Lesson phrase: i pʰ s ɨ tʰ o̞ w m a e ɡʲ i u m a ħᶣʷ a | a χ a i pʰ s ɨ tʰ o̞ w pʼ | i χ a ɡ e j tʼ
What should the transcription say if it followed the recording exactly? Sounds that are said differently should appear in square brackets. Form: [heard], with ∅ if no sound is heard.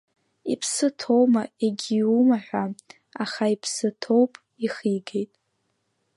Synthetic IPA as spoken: i pʰ s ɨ tʰ o̞ w m a e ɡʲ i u m a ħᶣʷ a | a χ a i pʰ s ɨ tʰ o̞ w pʼ | i χ [i] ɡ e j tʼ